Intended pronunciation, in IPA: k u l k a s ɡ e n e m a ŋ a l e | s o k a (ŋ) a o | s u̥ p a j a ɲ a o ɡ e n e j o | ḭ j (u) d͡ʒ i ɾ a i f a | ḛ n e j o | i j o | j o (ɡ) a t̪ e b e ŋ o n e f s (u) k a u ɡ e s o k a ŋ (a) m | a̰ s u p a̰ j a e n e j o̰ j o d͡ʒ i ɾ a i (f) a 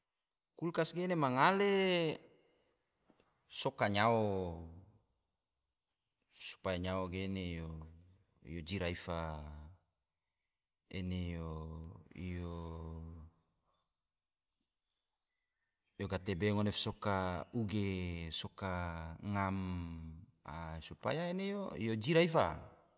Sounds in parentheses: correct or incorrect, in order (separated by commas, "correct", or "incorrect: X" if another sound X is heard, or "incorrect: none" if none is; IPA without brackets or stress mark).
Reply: incorrect: ɲ, incorrect: o, correct, incorrect: o, correct, correct